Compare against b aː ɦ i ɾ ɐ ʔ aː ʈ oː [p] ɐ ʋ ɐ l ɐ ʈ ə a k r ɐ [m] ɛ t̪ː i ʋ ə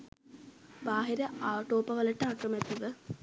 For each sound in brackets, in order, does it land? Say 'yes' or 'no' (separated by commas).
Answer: yes, yes